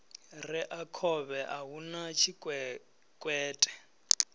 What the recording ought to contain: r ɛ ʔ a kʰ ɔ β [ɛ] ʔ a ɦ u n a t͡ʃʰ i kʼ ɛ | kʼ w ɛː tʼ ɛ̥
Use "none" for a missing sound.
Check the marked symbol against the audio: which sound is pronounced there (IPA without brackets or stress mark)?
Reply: ɛ